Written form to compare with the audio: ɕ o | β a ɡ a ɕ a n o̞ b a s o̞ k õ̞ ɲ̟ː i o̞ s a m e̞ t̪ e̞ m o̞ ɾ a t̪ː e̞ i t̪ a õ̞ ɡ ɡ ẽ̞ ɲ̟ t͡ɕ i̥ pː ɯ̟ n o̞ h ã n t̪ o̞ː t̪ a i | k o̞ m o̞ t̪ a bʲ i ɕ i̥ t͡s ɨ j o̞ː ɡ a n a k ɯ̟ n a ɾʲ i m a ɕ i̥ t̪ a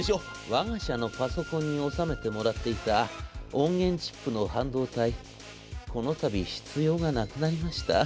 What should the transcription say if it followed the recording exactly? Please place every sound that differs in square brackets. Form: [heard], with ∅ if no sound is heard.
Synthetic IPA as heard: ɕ o | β a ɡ a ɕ a n o̞ [p] a s o̞ k õ̞ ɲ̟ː i o̞ s a m e̞ t̪ e̞ m o̞ ɾ a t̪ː e̞ i t̪ a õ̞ [ŋ] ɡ ẽ̞ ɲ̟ t͡ɕ i̥ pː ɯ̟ n o̞ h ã n [d̪] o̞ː t̪ a i | k o̞ [n] o̞ t̪ a bʲ i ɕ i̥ t͡s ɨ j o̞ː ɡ a n a k ɯ̟ n a ɾʲ i m a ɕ i̥ t̪ a